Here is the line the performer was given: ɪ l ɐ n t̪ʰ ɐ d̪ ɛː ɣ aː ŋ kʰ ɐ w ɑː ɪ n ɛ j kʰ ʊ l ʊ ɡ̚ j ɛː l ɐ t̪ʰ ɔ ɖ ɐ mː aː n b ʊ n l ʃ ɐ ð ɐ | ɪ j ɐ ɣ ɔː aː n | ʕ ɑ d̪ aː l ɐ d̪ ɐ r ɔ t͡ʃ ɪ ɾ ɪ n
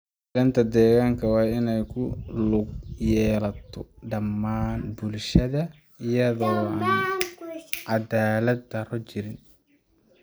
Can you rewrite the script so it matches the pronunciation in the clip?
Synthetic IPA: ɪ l ɐ n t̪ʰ ɐ d̪ ɛː ɣ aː ŋ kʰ ɐ w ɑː ɪ n ɛ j kʰ ʊ l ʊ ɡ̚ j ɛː l ɐ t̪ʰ ɔ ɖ ɐ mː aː n b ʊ l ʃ ɐ ð ɐ | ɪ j ɐ ð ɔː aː n | ʕ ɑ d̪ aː l ɐ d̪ ɐ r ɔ t͡ʃ ɪ ɾ ɪ n